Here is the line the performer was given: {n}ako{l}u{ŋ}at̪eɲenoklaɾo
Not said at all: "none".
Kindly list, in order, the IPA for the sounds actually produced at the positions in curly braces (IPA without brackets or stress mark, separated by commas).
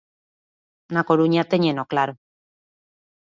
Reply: n, ɾ, ɲ